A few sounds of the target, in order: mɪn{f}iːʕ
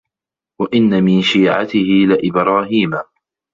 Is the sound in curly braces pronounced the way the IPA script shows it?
no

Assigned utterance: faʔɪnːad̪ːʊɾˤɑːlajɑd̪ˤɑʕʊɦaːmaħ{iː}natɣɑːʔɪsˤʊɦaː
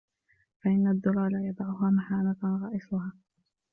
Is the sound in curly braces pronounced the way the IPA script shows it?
no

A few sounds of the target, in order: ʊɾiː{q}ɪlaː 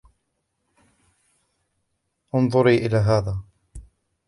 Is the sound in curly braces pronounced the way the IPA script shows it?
no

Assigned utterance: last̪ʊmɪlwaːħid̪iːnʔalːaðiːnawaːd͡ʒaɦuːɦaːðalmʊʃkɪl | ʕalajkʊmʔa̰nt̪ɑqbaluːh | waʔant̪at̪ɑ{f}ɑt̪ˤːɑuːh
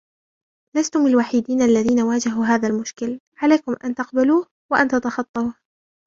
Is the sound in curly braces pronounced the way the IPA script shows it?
no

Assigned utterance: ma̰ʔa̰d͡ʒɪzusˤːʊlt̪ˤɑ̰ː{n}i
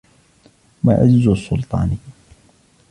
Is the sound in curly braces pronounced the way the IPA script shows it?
yes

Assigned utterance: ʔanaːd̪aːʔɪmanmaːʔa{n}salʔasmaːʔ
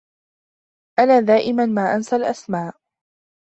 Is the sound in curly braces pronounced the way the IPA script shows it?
yes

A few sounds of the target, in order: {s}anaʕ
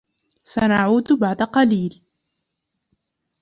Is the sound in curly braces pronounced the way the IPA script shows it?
yes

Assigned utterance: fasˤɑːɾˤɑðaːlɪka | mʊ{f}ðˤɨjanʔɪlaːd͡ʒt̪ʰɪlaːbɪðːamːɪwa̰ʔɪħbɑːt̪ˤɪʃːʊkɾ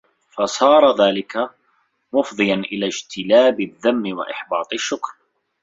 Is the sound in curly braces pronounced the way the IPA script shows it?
yes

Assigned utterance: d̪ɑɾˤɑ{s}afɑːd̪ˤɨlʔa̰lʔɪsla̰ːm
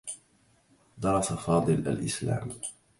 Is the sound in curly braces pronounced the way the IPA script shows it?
yes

